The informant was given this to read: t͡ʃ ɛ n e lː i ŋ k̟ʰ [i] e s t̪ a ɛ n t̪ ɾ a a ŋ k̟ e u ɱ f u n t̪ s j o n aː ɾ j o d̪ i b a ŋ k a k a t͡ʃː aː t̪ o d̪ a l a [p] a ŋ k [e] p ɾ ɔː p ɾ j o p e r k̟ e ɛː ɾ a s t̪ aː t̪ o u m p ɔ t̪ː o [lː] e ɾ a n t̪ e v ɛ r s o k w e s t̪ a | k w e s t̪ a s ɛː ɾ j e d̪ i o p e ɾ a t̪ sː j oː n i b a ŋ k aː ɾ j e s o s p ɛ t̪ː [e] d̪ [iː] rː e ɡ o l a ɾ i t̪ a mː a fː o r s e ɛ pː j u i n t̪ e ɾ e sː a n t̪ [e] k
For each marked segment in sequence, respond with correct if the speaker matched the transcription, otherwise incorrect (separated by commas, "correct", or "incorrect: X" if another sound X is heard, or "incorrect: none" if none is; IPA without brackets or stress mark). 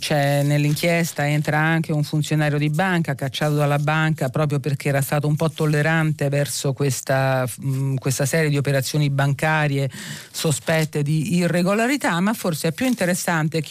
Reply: incorrect: j, incorrect: b, incorrect: a, correct, correct, correct, correct